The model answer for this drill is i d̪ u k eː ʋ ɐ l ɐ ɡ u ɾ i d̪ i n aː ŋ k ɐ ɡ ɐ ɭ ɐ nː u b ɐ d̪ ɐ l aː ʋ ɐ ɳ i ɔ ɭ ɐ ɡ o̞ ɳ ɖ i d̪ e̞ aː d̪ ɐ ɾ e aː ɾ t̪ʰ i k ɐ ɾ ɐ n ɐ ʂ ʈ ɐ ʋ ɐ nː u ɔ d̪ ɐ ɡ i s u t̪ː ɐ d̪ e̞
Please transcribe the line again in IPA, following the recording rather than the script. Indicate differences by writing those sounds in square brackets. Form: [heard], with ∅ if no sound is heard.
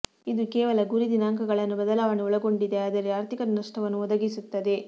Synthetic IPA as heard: i d̪ u k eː ʋ ɐ l ɐ ɡ u ɾ i d̪ i n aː ŋ k ɐ ɡ ɐ ɭ ɐ nː u b ɐ d̪ ɐ l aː ʋ ɐ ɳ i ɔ ɭ ɐ ɡ o̞ ɳ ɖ i d̪ e̞ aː d̪ ɐ ɾ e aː ɾ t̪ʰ i k ɐ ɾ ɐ n ɐ ʂ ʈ ɐ ʋ ɐ nː u ɔ d̪ ɐ ɡ i s u t̪ː ɐ d̪ e̞